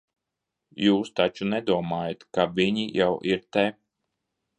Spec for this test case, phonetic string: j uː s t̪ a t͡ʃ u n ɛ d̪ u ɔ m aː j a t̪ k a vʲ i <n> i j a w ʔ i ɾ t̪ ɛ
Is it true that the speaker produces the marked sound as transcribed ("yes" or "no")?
no